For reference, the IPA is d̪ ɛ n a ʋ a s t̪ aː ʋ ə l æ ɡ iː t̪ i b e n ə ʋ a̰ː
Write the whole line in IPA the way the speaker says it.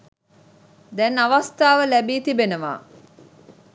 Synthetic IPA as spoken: d̪ ɛ n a ʋ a s t̪ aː ʋ ə l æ b iː t̪ i b e n ə ʋ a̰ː

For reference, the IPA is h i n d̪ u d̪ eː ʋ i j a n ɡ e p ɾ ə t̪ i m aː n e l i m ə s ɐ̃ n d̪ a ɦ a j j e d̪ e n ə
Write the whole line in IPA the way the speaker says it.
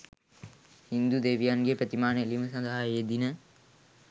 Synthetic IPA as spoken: h i n d̪ u d̪ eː ʋ i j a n ɡ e p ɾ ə t̪ i m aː n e l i m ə s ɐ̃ n d̪ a ɦ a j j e d̪ i n ə

